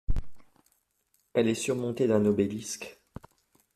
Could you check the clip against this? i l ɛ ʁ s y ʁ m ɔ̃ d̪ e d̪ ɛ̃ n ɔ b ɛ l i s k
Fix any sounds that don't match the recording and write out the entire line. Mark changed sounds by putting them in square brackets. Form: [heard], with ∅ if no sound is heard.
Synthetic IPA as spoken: [ɛ] l ɛ [∅] s y ʁ m ɔ̃ [t̪] e d̪ ɛ̃ n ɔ b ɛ l i s k